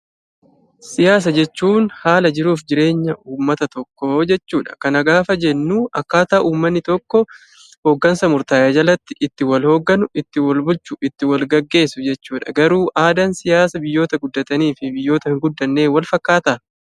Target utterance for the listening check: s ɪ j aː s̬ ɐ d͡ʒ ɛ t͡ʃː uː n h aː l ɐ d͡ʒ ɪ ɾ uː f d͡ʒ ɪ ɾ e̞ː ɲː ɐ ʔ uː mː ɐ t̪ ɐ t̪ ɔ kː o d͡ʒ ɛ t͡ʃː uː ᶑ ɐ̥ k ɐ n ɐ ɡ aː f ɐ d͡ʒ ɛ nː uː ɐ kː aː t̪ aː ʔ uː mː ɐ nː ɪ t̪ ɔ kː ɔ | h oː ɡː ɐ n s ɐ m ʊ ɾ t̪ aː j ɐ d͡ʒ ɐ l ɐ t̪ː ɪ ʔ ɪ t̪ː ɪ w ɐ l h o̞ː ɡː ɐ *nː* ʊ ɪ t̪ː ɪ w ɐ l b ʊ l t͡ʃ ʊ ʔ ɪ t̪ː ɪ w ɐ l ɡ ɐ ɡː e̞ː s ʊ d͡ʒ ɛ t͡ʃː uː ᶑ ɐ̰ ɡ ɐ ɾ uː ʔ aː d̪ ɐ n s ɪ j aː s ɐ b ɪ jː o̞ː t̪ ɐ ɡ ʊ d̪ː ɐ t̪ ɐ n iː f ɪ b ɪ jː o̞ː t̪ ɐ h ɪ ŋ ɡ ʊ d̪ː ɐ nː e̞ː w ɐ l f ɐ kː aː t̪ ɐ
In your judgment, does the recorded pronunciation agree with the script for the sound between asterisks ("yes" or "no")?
no